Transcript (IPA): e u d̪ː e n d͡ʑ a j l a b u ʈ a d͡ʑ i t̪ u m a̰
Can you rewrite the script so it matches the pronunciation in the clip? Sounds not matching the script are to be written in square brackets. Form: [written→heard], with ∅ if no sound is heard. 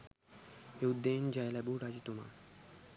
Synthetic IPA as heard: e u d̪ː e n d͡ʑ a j l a b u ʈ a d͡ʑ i t̪ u m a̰